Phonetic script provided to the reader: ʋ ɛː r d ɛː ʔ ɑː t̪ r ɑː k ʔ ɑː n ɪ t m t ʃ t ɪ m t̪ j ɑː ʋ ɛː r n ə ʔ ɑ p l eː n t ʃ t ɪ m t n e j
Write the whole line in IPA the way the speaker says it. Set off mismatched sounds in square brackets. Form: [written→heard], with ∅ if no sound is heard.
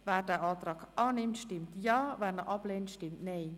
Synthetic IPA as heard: ʋ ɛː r d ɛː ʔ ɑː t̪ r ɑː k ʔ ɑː n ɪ [t→∅] m t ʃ t ɪ m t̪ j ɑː ʋ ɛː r n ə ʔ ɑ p l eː n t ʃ t ɪ m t n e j